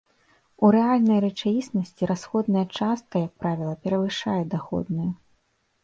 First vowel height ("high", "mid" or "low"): high